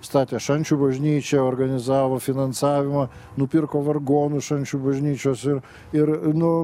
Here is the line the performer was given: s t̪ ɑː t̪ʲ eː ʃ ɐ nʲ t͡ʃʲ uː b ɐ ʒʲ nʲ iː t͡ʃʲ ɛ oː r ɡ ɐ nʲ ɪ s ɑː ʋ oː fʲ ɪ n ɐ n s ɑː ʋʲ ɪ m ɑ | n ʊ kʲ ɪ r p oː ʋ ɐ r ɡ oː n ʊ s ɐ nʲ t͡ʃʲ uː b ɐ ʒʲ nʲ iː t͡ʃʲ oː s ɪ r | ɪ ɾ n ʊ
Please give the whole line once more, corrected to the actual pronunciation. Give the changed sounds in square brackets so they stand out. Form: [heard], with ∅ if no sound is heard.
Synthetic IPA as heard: s t̪ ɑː t̪ʲ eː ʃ ɐ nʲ t͡ʃʲ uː b ɐ ʒʲ nʲ iː t͡ʃʲ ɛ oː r ɡ ɐ nʲ ɪ [z] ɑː ʋ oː fʲ ɪ n ɐ n s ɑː ʋʲ ɪ m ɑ | n ʊ [pʲ] ɪ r [k] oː ʋ ɐ r ɡ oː n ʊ [ʃ] ɐ nʲ t͡ʃʲ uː b ɐ ʒʲ nʲ iː t͡ʃʲ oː s ɪ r | ɪ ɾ n ʊ